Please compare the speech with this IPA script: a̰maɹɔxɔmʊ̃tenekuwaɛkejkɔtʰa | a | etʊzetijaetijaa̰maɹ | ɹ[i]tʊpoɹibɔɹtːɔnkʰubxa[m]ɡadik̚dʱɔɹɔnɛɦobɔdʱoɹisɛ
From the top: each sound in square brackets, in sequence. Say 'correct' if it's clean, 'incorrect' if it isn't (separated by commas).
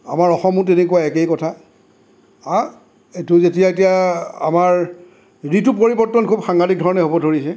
correct, incorrect